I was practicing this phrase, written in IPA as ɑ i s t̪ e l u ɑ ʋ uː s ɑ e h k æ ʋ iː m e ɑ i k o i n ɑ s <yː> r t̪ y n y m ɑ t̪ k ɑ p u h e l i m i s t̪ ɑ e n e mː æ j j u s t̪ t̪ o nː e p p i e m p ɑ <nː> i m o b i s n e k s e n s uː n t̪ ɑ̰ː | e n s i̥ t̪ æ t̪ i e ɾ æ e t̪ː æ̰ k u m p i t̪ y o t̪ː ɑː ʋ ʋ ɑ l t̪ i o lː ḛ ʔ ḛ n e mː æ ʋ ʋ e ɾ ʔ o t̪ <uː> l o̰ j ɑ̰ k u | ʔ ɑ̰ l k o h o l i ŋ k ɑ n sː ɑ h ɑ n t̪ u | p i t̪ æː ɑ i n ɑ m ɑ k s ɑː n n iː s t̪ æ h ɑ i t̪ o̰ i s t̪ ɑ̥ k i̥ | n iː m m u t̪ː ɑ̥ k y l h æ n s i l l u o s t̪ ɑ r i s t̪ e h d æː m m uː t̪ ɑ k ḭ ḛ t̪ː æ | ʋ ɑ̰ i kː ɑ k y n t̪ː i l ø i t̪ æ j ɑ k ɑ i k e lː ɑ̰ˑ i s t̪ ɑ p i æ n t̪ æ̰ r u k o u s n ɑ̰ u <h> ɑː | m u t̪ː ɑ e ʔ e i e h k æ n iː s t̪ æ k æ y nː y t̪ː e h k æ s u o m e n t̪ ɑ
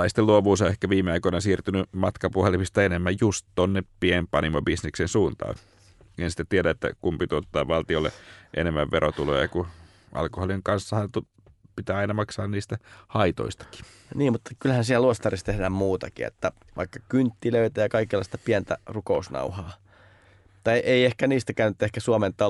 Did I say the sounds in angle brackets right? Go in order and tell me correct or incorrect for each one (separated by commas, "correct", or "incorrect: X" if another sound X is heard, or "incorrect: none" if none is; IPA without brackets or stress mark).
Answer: incorrect: iː, incorrect: n, incorrect: u, correct